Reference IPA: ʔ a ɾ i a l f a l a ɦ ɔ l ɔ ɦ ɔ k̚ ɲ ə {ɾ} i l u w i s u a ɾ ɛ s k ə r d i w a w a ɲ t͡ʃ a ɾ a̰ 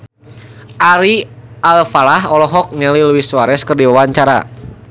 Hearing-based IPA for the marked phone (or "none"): l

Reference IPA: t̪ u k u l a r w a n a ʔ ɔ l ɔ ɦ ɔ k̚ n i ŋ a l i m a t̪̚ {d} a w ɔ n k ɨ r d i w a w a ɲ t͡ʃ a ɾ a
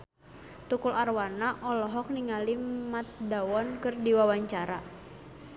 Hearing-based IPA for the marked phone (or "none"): d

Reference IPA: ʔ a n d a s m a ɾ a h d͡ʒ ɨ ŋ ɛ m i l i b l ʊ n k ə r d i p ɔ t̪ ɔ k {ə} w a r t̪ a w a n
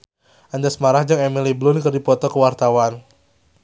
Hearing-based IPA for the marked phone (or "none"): ə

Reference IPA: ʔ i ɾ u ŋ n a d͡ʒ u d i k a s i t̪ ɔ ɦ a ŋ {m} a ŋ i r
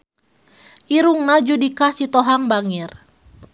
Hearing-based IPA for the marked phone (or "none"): b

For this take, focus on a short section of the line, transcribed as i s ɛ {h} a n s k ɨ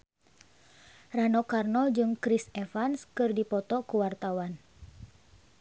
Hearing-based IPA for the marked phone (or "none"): f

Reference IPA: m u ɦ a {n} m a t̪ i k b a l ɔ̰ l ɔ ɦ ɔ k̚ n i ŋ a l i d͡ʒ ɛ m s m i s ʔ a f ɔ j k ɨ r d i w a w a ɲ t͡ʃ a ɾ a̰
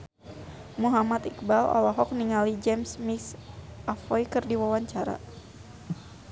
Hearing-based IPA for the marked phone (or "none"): none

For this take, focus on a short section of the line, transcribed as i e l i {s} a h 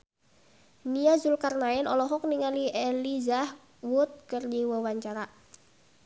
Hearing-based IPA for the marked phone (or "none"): z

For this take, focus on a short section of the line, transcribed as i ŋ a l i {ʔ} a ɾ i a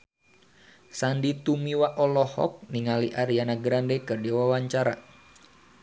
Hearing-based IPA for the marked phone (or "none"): ʔ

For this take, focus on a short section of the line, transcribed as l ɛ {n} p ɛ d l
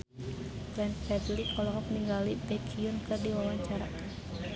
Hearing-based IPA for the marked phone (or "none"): n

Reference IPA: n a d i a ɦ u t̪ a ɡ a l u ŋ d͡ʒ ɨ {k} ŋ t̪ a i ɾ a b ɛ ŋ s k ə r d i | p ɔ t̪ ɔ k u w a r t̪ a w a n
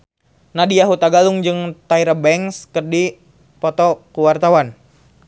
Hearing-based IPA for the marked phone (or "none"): none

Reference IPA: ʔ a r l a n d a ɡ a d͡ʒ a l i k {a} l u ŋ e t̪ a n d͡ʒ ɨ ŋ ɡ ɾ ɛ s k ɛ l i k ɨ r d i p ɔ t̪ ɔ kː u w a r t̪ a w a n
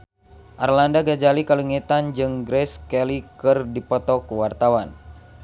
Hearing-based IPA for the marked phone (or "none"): a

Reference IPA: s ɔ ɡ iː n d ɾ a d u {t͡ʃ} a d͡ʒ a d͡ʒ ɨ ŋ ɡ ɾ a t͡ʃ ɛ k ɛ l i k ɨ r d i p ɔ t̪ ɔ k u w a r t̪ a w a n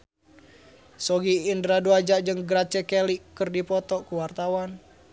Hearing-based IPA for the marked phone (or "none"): none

